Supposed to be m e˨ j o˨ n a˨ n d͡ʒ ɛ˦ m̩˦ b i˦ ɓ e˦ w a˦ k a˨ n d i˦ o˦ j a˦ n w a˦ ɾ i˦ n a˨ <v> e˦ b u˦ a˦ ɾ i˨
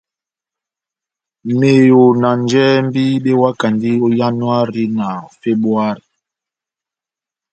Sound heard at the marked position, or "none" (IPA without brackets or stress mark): f